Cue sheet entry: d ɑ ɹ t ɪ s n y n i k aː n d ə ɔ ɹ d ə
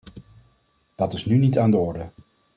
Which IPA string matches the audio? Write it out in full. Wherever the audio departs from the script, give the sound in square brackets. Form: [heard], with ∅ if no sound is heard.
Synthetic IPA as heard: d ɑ [∅] t ɪ s n y n i [t] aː n d ə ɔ ɹ d ə